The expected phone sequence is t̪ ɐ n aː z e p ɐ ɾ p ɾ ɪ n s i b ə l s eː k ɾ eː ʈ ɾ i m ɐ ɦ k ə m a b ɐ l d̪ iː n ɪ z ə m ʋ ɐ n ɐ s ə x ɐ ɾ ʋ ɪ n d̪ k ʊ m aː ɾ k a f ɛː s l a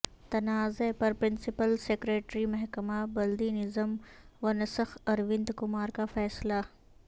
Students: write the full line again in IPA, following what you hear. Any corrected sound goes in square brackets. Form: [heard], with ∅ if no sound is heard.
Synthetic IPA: t̪ ɐ n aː z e p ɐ ɾ p ɾ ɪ n s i [p] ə l s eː k ɾ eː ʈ ɾ i m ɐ ɦ k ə m a b ɐ l d̪ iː n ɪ z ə m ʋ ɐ n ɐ s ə x ɐ ɾ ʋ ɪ n d̪ k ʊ m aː ɾ k a f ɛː s l a